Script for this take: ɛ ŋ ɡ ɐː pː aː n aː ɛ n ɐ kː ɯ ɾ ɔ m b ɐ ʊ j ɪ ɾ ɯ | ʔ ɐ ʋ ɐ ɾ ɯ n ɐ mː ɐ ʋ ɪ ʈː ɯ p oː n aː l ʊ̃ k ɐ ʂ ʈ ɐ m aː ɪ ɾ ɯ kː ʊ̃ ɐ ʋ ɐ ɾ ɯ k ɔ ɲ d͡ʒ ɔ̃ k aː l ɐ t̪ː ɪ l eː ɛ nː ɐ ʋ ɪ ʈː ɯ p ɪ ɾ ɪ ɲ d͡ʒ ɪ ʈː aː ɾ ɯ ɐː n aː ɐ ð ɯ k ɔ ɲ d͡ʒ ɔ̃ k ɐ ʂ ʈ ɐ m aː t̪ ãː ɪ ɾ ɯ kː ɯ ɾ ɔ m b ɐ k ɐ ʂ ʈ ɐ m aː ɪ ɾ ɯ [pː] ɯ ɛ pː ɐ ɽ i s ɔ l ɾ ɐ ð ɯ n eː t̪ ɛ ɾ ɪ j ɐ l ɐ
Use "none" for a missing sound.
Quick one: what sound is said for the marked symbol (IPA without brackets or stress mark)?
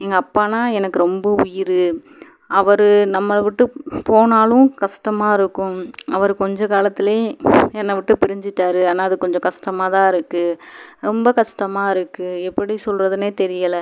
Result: kː